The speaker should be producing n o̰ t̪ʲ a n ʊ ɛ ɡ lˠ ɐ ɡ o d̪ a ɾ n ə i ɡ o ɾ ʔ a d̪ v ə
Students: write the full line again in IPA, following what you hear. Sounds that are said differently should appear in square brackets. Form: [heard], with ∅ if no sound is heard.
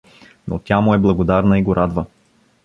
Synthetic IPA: n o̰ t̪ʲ a [m] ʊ ɛ [b] lˠ ɐ ɡ o d̪ a ɾ n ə i ɡ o ɾ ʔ a d̪ v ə